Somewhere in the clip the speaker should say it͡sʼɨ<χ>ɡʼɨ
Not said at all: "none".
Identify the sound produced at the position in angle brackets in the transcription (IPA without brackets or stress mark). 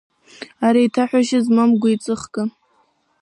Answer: χ